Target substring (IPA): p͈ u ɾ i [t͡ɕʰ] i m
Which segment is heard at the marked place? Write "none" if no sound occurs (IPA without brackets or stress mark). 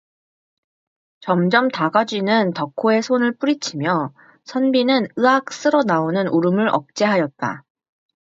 t͡ɕʰ